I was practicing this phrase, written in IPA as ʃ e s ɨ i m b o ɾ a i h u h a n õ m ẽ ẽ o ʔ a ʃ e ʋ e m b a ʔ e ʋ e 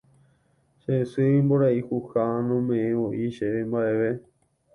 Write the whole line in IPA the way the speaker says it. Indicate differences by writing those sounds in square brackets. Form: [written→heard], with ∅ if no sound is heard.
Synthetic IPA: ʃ e s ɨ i m b o ɾ a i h u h a n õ m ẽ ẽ o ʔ [a→i] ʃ e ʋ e m b a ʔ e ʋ e